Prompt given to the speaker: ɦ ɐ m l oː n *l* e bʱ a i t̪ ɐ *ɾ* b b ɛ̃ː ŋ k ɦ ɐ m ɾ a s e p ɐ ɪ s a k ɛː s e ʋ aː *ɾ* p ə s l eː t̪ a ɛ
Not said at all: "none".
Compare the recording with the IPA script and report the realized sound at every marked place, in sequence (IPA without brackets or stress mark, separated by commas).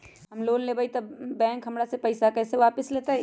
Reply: l, none, none